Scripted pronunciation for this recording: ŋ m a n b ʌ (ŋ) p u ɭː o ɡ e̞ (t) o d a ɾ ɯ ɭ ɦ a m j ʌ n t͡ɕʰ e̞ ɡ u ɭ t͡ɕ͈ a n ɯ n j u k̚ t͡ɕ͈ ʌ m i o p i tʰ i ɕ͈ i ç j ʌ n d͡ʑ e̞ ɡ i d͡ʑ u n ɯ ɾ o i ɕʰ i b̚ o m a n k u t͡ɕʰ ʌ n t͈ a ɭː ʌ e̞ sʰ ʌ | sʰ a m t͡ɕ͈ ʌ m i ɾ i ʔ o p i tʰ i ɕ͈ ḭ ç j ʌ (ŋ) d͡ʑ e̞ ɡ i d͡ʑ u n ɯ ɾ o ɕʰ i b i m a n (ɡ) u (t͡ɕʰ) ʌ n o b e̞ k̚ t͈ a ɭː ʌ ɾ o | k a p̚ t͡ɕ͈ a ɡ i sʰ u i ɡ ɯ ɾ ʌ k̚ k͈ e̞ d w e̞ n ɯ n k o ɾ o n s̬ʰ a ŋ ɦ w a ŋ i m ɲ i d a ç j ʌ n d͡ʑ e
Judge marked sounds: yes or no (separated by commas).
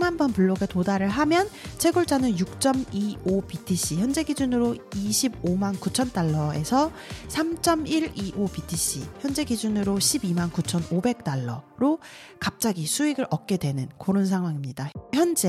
no, yes, no, no, yes